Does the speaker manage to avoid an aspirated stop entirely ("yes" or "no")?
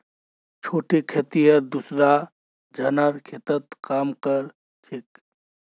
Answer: no